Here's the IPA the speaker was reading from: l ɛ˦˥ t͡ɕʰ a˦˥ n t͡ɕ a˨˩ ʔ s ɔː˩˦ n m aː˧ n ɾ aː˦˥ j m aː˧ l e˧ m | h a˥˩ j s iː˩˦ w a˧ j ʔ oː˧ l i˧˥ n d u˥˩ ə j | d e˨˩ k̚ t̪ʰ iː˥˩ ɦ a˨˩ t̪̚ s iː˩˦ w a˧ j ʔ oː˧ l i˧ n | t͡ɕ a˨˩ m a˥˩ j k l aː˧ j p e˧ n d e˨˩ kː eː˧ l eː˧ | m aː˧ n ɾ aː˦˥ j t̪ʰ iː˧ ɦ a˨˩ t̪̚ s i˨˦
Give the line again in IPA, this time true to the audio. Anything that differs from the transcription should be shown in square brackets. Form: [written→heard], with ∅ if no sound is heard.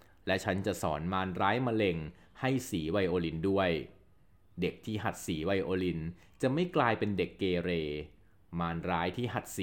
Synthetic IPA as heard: l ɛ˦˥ t͡ɕʰ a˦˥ n t͡ɕ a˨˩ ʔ s ɔː˩˦ n m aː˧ n ɾ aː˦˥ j m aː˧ l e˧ [m→ŋ] | h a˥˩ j s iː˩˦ w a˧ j ʔ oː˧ l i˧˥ n d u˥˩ ə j | d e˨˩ k̚ t̪ʰ iː˥˩ ɦ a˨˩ t̪̚ s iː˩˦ w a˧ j ʔ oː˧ l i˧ n | t͡ɕ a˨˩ m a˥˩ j k l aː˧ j p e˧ n d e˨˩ kː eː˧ [l→ɾ] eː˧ | m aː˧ n ɾ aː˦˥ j t̪ʰ [iː˧→iː˥˩] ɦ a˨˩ t̪̚ s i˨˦